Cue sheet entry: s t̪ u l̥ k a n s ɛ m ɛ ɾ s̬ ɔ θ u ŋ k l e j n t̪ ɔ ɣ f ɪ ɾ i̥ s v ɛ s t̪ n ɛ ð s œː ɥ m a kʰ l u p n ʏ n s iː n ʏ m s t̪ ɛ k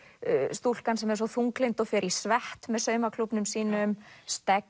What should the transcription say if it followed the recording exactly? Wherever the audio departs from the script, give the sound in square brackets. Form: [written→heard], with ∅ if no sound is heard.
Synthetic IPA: s t̪ u l̥ k a n s ɛ m ɛ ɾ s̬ ɔ θ u ŋ k l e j n t̪ ɔ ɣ f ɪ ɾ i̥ s v ɛ [s→h] t̪ [n→m] ɛ ð s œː ɥ m a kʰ l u p n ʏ [n→m] s iː n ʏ m s t̪ ɛ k